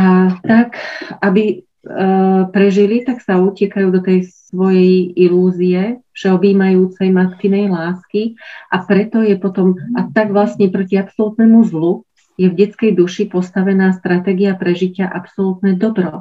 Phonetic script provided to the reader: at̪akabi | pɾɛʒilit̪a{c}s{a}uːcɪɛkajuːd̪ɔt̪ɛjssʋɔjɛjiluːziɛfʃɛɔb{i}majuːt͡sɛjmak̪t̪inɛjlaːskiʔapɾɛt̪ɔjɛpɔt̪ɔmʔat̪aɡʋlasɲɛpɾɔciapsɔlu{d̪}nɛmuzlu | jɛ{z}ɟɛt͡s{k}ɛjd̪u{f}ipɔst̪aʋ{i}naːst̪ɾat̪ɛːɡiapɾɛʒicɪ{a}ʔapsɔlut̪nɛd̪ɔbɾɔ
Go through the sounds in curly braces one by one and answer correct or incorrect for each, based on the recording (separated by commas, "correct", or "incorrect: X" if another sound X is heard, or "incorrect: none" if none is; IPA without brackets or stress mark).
incorrect: k, correct, incorrect: iː, incorrect: t̪, incorrect: v, correct, incorrect: ʃ, incorrect: ɛ, correct